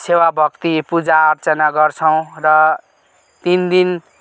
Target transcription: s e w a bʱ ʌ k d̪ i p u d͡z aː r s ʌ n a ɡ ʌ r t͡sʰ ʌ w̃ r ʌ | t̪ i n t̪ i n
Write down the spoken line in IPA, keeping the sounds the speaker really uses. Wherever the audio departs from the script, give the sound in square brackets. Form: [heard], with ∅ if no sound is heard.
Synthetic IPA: s e w a bʱ ʌ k [t̪] i p u d͡z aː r [t͡s] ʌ n a ɡ ʌ r t͡sʰ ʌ w̃ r ʌ | t̪ i n [d̪] i n